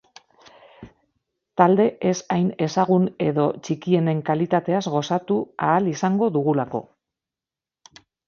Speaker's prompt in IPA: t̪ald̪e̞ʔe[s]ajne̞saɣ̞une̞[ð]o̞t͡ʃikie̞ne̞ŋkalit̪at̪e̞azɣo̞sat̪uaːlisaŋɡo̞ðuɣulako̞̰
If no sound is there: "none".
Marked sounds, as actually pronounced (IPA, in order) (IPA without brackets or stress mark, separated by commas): s, ð